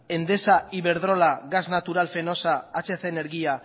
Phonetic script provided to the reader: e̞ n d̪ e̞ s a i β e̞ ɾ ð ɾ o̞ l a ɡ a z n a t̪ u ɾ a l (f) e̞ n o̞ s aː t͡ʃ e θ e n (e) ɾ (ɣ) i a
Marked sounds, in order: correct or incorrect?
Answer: correct, correct, correct

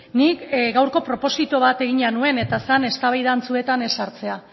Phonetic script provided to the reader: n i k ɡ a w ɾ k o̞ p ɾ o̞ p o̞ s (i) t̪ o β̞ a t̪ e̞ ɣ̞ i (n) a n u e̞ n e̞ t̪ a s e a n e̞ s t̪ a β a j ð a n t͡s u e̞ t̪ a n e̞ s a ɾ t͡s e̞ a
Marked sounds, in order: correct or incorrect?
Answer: correct, incorrect: ɲ

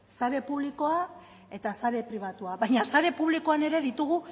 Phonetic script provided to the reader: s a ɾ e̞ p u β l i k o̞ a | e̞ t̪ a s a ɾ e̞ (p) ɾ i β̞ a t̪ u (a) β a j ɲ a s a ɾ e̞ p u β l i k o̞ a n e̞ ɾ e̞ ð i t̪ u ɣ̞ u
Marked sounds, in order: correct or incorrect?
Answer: correct, correct

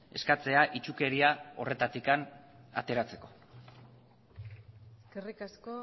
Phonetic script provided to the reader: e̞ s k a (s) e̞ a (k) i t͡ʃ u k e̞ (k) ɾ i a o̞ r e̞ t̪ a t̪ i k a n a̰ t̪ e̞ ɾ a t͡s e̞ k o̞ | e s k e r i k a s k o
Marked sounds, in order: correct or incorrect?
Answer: incorrect: t͡s, incorrect: ʔ, incorrect: none

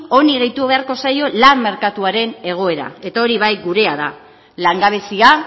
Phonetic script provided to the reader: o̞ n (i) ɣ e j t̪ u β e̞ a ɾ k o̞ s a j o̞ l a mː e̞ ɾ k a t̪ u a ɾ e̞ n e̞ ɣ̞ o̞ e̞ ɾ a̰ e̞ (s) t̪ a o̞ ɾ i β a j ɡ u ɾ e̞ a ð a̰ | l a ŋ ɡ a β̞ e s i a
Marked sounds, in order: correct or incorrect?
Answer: correct, incorrect: none

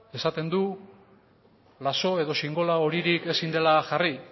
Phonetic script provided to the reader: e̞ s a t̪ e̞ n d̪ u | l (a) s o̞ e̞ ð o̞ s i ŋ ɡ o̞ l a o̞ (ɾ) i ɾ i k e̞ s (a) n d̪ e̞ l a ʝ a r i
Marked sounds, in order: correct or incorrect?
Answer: correct, correct, incorrect: i

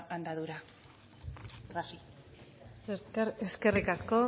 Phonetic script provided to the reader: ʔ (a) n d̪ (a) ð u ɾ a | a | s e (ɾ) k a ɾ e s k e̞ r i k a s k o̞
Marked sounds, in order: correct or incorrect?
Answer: correct, correct, correct

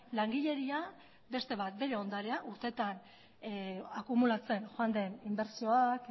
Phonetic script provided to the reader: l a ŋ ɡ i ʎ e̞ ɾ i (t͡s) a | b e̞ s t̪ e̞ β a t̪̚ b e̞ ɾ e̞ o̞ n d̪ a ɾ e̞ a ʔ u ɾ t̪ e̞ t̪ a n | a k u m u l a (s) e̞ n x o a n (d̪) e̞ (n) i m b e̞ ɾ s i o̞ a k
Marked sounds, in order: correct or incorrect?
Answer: incorrect: none, incorrect: t͡s, correct, correct

